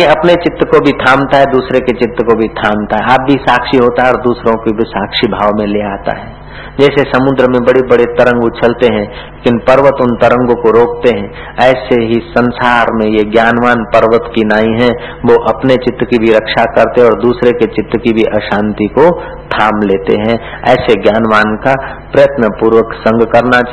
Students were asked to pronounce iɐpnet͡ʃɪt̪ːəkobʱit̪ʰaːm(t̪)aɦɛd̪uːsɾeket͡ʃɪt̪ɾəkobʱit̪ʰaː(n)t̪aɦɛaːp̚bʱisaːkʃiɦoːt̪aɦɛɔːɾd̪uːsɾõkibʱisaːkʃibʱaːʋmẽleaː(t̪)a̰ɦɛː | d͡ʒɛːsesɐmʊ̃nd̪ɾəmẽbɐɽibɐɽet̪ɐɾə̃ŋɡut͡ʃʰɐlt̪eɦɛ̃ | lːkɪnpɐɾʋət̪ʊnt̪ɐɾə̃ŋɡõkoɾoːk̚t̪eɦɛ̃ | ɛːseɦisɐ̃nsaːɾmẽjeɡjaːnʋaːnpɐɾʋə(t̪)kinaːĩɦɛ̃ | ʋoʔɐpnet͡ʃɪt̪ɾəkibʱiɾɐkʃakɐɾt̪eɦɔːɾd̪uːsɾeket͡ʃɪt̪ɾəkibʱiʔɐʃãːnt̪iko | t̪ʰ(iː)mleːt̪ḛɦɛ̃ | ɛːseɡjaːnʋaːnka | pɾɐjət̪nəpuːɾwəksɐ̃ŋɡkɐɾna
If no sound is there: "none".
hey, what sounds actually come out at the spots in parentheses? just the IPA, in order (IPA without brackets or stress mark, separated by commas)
t̪, m, t̪, t̪, aː